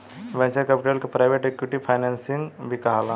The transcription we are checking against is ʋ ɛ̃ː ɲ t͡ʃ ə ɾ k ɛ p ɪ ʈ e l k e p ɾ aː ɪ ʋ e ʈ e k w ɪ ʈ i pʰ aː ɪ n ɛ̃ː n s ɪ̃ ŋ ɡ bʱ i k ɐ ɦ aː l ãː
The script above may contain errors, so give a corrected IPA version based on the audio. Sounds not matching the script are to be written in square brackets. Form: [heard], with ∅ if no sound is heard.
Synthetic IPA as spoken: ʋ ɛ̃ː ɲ t͡ʃ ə ɾ k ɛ p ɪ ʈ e l k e p ɾ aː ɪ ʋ e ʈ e k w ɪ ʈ i pʰ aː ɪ n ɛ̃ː n s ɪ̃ ŋ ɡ bʱ i k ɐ ɦ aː l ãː